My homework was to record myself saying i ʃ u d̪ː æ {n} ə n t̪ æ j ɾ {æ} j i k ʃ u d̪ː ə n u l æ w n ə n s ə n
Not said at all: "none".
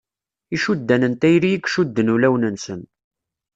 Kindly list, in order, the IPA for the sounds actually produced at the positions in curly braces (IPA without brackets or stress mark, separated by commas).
n, i